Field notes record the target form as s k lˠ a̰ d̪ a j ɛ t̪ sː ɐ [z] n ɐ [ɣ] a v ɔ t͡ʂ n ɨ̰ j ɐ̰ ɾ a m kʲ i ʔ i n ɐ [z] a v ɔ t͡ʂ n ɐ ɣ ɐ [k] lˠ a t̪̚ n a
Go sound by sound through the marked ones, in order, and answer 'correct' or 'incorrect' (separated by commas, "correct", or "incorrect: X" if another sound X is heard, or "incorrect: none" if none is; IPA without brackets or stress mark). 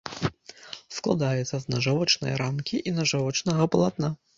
correct, incorrect: ʐ, incorrect: ʐ, incorrect: p